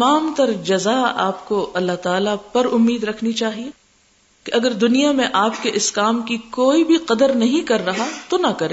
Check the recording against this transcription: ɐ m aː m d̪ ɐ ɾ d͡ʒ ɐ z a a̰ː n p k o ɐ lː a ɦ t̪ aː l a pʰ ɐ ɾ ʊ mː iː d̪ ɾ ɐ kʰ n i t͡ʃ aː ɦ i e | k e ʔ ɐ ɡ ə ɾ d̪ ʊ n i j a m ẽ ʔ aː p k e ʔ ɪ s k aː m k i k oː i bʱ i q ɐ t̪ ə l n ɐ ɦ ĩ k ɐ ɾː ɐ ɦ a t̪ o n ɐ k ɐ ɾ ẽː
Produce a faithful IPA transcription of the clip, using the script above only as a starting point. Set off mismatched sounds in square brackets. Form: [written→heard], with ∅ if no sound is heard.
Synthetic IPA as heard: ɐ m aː m [d̪→t̪] ɐ ɾ d͡ʒ ɐ z a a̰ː [n→∅] p k o ɐ lː a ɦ t̪ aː l a [pʰ→p] ɐ ɾ ʊ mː iː d̪ ɾ ɐ kʰ n i t͡ʃ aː ɦ i e | k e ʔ ɐ ɡ ə ɾ d̪ ʊ n i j a m ẽ ʔ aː p k e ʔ ɪ s k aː m k i k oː i bʱ i q ɐ [t̪→d̪] ə [l→ɾ] n ɐ ɦ ĩ k ɐ ɾː ɐ ɦ a t̪ o n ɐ k ɐ ɾ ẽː